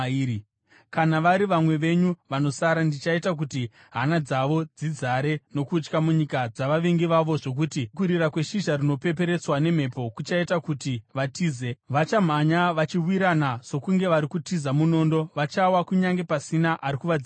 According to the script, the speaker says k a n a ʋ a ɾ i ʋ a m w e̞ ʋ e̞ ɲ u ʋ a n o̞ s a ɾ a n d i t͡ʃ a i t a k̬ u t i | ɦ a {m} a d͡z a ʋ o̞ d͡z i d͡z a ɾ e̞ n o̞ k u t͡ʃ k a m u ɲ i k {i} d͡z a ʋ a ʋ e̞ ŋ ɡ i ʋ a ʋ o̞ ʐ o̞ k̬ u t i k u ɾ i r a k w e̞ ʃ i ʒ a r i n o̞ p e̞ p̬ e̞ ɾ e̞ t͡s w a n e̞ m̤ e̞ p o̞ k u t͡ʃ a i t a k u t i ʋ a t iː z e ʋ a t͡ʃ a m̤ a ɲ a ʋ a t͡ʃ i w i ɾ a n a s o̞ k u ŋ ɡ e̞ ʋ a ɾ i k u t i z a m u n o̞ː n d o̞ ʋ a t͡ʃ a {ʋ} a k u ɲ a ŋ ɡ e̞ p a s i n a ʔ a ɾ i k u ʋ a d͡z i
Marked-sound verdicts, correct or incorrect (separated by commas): incorrect, incorrect, incorrect